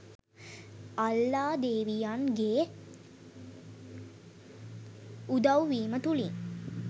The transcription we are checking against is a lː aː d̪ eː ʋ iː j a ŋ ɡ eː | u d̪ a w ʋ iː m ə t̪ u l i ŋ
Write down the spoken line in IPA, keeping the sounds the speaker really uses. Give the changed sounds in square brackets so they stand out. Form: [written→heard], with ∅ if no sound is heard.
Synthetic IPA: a lː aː d̪ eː ʋ [iː→i] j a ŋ ɡ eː | u d̪ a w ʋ iː m ə t̪ u l i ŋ